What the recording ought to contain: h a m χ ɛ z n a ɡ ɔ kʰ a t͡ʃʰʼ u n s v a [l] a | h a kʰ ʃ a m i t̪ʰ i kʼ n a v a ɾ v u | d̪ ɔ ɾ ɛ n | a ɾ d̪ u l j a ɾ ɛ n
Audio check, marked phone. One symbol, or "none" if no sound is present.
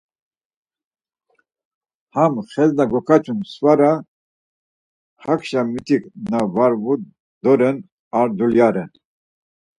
ɾ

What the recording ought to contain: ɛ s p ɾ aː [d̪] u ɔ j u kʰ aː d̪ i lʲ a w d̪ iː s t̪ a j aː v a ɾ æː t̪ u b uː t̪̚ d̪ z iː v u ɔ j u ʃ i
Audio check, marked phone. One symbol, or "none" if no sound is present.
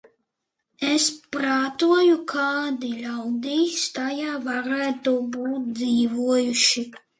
t̪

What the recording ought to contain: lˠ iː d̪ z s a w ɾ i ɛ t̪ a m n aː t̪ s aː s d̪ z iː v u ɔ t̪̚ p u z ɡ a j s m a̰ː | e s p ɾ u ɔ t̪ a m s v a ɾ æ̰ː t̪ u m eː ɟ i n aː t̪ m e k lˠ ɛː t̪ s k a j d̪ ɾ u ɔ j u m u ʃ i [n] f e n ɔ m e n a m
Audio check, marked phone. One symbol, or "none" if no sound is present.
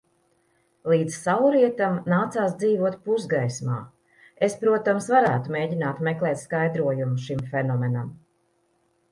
m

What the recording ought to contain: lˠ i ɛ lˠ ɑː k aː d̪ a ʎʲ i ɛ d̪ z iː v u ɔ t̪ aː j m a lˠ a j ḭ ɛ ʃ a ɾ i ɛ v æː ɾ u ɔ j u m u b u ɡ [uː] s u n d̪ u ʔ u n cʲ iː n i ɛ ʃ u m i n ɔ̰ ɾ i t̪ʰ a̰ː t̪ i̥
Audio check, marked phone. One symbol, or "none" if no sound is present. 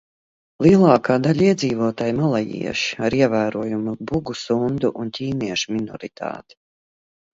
u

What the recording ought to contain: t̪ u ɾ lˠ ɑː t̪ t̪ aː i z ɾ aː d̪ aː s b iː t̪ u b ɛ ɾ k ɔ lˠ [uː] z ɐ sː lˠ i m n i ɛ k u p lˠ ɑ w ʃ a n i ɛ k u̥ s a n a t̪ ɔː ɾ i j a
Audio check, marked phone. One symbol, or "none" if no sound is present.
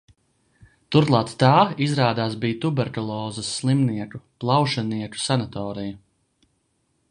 ɔː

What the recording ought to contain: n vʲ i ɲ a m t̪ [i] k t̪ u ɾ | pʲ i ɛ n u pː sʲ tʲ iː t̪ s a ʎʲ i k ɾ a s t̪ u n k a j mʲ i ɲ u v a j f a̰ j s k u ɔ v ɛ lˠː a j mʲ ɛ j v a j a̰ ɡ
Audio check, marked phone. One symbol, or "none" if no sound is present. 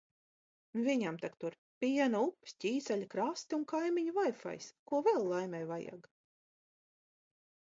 a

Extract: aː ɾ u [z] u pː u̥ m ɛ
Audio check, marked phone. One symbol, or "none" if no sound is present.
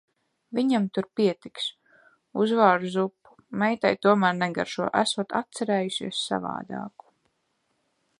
z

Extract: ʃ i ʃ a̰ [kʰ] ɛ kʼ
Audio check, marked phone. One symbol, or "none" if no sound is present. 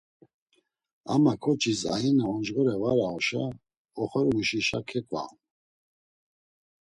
kʰ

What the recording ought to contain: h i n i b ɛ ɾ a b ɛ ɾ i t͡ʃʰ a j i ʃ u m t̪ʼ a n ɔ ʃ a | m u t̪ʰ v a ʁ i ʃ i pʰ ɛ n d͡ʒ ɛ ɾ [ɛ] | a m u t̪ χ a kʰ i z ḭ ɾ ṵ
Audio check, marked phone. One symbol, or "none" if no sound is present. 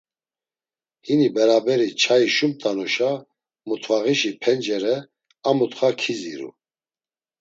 ɛ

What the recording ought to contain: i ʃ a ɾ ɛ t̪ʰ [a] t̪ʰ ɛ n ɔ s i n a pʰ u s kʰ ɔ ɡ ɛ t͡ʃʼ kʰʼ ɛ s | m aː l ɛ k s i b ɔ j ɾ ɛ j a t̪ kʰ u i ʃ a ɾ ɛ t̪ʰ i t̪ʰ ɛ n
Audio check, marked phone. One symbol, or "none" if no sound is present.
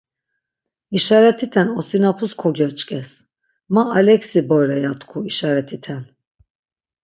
i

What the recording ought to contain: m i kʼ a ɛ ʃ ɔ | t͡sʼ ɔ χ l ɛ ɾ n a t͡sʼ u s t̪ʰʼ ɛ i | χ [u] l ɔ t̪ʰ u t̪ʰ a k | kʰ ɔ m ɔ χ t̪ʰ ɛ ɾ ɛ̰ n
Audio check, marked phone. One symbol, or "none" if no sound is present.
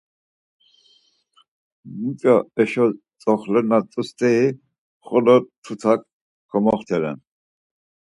ɔ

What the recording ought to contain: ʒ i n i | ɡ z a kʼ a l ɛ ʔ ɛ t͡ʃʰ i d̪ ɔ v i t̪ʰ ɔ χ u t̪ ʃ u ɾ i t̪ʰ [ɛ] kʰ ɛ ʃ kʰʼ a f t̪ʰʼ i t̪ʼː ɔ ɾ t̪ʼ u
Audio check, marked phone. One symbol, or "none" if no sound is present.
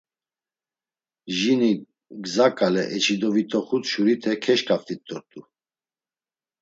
ɛ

